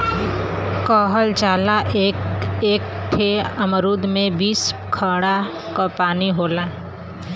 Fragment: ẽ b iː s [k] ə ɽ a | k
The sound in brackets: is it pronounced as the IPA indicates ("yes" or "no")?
no